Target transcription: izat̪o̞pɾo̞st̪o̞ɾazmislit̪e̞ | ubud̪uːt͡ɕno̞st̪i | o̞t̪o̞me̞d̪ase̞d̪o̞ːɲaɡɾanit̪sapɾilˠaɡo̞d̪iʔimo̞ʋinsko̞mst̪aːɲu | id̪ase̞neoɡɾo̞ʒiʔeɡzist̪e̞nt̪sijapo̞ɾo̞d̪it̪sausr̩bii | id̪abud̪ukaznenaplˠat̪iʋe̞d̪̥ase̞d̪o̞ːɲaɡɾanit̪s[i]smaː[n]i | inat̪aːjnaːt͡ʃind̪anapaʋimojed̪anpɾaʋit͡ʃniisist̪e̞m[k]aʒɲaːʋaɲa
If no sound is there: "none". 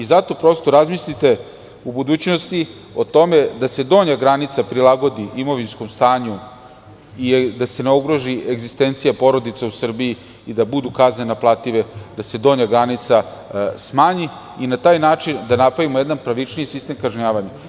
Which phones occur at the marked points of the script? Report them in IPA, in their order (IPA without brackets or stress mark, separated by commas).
a, ɲ, k